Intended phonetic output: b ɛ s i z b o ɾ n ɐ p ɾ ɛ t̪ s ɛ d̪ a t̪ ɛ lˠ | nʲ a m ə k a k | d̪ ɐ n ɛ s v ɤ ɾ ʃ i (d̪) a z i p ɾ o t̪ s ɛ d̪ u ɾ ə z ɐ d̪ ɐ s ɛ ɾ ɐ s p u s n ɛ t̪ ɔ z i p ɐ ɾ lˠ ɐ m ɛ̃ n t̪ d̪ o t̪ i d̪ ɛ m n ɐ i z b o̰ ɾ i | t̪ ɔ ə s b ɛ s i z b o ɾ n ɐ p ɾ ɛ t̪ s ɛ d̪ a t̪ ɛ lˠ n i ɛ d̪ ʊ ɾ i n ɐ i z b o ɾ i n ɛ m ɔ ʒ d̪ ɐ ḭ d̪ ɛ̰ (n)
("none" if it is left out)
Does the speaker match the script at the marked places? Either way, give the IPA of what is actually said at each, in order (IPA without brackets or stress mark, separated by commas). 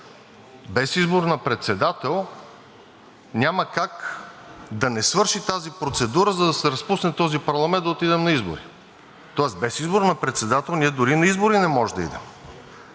t̪, m